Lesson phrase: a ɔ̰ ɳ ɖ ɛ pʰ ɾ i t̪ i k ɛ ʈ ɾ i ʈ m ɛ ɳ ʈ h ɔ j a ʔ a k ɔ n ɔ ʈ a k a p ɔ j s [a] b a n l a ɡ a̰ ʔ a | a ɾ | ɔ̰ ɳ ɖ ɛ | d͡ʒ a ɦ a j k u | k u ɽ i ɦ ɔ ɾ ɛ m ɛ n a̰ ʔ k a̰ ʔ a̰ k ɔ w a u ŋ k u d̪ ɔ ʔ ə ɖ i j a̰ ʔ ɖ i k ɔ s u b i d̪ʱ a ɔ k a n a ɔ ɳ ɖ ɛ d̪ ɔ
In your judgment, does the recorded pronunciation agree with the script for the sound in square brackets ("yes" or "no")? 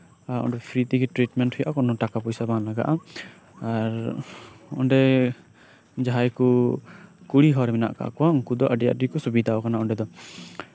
yes